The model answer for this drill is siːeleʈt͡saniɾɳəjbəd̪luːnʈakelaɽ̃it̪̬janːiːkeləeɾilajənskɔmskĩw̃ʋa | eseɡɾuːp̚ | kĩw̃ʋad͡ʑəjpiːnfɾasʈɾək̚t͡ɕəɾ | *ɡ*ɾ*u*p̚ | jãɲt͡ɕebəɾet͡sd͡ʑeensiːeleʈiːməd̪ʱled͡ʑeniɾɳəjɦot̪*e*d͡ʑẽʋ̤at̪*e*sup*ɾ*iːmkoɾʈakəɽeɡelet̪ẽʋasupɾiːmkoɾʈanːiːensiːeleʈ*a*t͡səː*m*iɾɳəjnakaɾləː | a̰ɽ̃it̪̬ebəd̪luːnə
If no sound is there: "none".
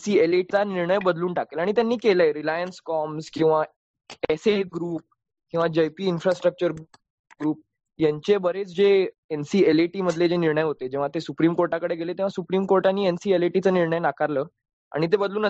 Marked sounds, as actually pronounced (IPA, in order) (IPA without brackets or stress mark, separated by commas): ɡ, uː, e, e, ɾ, i, n